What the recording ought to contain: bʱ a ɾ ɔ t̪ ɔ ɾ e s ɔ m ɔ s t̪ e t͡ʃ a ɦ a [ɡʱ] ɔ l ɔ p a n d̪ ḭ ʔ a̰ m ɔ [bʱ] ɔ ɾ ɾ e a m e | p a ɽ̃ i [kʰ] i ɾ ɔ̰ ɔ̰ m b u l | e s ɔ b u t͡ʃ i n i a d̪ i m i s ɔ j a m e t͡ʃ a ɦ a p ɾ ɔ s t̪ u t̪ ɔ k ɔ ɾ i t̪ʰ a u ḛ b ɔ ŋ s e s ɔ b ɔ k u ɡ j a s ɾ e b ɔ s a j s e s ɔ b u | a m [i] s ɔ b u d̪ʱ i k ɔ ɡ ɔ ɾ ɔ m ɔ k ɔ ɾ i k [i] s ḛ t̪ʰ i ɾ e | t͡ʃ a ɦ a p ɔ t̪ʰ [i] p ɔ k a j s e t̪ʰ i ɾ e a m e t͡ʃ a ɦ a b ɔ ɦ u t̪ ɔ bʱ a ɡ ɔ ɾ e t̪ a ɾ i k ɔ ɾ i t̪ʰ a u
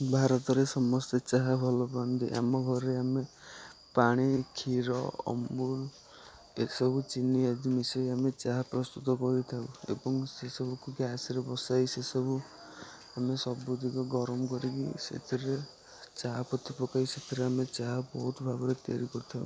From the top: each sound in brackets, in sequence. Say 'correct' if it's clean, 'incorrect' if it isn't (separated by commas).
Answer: incorrect, incorrect, correct, incorrect, correct, correct